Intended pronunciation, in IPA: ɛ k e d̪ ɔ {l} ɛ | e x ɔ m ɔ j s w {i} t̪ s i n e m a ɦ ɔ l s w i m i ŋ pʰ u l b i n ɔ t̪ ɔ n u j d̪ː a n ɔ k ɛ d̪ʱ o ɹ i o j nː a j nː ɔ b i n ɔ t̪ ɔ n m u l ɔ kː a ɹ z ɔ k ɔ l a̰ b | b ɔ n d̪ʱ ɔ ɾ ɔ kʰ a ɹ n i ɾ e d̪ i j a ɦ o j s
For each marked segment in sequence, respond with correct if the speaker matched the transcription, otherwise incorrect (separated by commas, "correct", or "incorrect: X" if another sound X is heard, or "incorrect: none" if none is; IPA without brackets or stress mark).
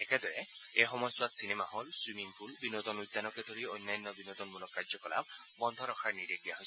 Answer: incorrect: ɹ, incorrect: a